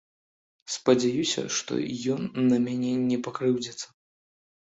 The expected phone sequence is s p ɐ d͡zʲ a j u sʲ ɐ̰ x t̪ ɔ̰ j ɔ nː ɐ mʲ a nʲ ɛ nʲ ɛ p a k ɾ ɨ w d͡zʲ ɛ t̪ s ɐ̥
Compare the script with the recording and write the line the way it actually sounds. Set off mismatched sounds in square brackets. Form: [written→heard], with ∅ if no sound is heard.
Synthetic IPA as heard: s p ɐ d͡zʲ a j u sʲ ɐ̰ [x→ʂ] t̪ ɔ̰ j ɔ nː ɐ mʲ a nʲ ɛ nʲ ɛ p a k ɾ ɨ w d͡zʲ ɛ t̪ s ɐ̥